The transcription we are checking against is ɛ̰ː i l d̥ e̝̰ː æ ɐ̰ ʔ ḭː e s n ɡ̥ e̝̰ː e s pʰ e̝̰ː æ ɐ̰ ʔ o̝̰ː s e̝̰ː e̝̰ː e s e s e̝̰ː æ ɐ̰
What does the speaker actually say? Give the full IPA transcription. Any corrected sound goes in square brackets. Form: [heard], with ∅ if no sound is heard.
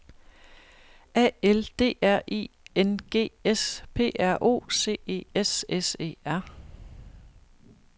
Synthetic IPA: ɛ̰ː [e] l d̥ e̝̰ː æ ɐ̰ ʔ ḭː e [∅] n ɡ̥ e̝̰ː e s pʰ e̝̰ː æ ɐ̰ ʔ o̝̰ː s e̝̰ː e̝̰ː e s e s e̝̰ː æ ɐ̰